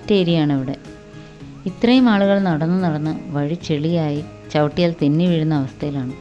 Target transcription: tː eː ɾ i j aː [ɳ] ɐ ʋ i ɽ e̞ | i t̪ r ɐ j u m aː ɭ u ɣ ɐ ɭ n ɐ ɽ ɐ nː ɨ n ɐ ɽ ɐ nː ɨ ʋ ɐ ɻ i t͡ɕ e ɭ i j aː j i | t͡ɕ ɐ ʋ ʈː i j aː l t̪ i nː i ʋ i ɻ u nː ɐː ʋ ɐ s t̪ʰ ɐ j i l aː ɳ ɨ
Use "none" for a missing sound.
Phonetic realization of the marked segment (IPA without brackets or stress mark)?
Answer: ɳ